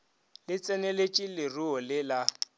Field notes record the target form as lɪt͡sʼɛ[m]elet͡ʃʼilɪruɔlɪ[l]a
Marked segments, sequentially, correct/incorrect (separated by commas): incorrect, correct